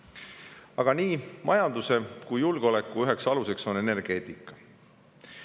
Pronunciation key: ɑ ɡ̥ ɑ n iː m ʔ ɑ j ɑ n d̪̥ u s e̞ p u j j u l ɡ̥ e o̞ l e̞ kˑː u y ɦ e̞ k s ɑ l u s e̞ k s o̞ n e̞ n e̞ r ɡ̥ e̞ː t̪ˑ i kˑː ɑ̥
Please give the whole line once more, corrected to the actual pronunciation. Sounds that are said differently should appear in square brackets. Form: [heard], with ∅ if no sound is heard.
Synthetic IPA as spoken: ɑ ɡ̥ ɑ n iː m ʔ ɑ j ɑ n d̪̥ u s e̞ [k] u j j u l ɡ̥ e o̞ l e̞ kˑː u y ɦ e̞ k s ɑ l u s e̞ k s o̞ n e̞ n e̞ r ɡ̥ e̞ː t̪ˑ i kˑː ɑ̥